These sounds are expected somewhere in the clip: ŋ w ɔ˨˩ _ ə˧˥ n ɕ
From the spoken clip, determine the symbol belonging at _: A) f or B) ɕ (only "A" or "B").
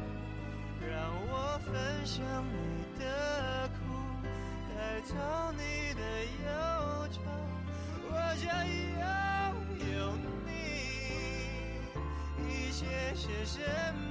A